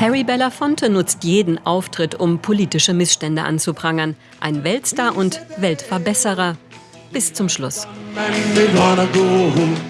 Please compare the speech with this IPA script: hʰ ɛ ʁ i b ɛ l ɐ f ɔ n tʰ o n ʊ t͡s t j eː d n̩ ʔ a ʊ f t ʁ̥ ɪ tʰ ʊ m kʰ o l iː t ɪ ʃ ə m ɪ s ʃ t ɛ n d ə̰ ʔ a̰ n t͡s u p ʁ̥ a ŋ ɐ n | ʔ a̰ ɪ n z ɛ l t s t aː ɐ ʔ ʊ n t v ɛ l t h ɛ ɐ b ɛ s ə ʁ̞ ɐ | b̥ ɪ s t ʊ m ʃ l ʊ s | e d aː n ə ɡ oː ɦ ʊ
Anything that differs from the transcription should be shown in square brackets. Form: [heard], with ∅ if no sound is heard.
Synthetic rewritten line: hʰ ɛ ʁ i b ɛ l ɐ f ɔ n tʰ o n ʊ t͡s t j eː d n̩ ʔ a ʊ f t ʁ̥ ɪ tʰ ʊ m [pʰ] o l iː t ɪ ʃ ə m ɪ s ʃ t ɛ n d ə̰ ʔ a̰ n t͡s u p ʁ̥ a ŋ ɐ n | ʔ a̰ ɪ n [v] ɛ l t s t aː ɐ ʔ ʊ n t v ɛ l t [f] ɛ ɐ b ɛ s ə ʁ̞ ɐ | b̥ ɪ s [t͡s] ʊ m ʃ l ʊ s | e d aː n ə ɡ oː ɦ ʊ